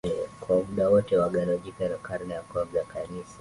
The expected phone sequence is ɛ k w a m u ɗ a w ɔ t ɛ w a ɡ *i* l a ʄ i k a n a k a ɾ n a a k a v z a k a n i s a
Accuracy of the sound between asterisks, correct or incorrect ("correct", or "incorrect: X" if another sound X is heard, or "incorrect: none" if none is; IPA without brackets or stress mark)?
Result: incorrect: a